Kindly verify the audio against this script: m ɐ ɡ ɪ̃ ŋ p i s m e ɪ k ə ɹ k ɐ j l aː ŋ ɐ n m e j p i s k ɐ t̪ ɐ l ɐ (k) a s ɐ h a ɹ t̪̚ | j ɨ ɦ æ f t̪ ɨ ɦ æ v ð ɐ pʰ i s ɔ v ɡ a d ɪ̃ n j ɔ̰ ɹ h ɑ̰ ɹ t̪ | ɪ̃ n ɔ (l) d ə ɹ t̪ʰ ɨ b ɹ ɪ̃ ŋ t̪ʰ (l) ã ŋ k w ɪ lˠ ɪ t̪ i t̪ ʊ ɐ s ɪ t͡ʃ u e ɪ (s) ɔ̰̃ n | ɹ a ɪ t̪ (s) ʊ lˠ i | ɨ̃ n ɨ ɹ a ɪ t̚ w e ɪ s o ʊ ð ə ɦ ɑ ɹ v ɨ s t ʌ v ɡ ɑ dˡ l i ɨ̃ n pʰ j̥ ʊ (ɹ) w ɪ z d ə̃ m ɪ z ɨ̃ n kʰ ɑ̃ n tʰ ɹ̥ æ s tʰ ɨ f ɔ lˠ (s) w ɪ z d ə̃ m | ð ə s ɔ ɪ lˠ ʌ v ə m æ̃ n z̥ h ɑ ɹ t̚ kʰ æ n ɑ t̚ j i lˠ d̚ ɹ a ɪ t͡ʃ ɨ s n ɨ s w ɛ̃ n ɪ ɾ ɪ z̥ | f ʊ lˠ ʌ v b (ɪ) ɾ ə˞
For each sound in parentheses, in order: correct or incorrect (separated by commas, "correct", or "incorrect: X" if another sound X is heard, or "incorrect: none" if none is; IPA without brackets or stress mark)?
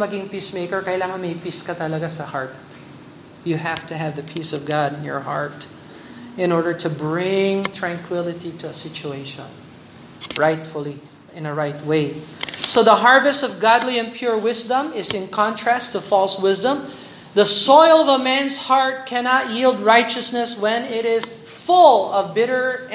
incorrect: ɡ, incorrect: ɹ, incorrect: ɹ, incorrect: ʃ, incorrect: f, correct, correct, correct